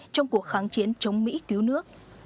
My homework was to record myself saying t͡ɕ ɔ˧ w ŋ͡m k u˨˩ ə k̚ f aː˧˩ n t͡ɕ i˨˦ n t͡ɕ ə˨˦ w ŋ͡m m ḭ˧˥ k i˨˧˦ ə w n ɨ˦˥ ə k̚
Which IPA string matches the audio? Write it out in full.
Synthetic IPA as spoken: t͡ɕ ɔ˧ w ŋ͡m k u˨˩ ə k̚ x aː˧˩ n t͡ɕ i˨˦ n t͡ɕ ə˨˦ w ŋ͡m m ḭ˧˥ k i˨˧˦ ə w n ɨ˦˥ ə k̚